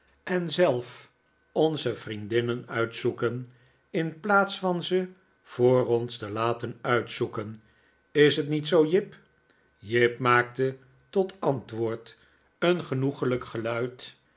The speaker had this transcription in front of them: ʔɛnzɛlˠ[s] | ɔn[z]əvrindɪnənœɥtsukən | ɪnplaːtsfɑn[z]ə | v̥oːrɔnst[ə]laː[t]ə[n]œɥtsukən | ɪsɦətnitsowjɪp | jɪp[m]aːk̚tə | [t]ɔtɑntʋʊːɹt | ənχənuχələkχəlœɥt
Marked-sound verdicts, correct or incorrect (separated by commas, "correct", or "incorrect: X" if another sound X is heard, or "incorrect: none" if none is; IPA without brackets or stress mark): incorrect: f, correct, correct, correct, correct, correct, correct, correct